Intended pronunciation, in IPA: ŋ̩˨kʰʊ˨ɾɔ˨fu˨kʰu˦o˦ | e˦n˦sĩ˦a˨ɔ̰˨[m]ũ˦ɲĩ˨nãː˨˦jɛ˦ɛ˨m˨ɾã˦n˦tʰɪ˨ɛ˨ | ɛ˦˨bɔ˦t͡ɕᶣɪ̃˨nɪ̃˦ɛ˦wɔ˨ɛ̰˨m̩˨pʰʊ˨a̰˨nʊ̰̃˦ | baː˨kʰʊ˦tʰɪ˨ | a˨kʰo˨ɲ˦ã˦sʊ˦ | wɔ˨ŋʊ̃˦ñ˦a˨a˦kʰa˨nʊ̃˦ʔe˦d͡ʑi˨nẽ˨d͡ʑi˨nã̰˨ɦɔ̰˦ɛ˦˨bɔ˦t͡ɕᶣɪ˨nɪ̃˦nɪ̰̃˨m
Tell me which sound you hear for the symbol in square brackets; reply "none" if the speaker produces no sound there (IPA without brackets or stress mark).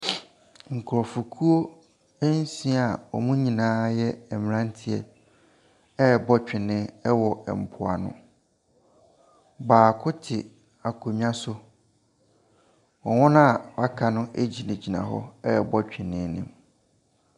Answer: m